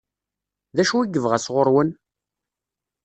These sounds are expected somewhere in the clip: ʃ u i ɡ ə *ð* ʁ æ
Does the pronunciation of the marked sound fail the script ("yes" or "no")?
yes